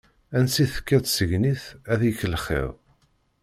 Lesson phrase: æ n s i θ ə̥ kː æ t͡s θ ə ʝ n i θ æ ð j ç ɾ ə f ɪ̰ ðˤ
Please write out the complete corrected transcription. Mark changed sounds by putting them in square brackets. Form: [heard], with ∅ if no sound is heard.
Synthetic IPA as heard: æ n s i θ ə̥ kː æ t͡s [s] ə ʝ n i θ æ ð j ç [l] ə [χ] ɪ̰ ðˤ

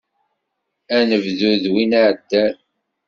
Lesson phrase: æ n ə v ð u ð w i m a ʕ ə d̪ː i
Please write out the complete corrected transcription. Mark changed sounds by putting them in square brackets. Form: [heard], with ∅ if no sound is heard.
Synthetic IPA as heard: æ n ə v ð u ð w i [n] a ʕ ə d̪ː [æ]

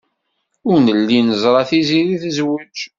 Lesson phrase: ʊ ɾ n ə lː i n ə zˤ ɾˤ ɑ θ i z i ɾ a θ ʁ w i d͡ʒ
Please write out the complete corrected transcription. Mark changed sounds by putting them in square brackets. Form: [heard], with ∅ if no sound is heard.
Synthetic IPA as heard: ʊ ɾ n ə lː i n ə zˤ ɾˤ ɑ θ i z i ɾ [i] θ [z] w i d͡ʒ

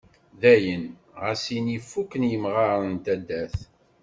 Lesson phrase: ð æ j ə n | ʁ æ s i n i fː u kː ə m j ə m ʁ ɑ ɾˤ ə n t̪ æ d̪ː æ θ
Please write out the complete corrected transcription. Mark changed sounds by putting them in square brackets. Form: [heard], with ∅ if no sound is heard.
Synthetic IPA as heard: ð æ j ə n | ʁ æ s i n i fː u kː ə [n] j ə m ʁ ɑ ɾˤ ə n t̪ æ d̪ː æ θ

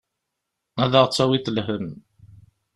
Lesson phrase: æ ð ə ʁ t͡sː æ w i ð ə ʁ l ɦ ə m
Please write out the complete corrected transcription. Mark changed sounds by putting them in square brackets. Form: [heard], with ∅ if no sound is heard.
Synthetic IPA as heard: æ ð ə ʁ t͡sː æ w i [θ] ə [∅] l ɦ ə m

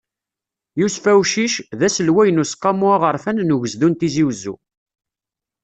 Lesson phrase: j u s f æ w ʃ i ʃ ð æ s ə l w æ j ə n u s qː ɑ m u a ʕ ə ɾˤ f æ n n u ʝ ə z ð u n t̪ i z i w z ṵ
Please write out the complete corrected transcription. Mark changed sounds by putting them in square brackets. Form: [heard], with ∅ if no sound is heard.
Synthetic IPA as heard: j u s f æ w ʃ i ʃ ð æ s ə l w æ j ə n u s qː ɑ m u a [ʁ] ə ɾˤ f æ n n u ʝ ə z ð u n t̪ i z i w z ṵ

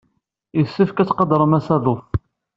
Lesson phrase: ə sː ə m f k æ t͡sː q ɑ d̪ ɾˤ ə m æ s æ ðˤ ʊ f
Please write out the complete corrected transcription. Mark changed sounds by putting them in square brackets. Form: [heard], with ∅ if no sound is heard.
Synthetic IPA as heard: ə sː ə [∅] f k æ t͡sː q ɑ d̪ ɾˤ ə m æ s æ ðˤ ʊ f

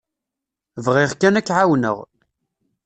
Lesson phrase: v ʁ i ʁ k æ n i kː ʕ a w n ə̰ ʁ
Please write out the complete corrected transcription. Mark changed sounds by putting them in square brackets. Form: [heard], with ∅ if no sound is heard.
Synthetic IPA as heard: v ʁ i ʁ k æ n [æ] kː ʕ a w n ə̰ ʁ

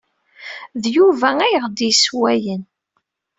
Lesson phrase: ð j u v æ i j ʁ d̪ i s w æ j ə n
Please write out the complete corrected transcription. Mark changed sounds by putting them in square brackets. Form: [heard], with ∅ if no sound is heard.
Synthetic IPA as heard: ð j u v æ [æ] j ʁ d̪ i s w æ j ə n

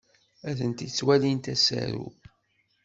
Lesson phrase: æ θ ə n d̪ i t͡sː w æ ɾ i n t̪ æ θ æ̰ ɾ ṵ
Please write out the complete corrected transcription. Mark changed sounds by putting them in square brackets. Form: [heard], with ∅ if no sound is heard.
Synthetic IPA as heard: æ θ ə n [t̪] i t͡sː w æ [l] i n t̪ æ [s] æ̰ ɾ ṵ

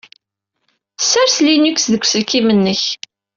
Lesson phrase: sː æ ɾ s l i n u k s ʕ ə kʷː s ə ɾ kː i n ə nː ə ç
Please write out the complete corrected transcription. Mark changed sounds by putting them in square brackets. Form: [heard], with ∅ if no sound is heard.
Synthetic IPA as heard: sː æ ɾ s l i n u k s [ð] ə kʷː s ə [l] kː i [m] ə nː ə ç

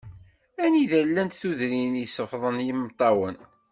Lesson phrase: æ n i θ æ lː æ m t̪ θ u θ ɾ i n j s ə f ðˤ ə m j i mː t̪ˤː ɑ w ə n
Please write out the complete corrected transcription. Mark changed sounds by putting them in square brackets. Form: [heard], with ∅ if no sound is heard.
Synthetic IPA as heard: æ n i [ð] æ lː æ [n] t̪ θ u [ð] ɾ i n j s ə f ðˤ ə [n] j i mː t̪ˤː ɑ w ə n

